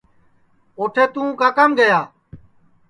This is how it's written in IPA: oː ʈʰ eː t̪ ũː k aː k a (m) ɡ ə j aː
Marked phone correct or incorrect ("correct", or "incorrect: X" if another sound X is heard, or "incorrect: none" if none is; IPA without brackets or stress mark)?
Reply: correct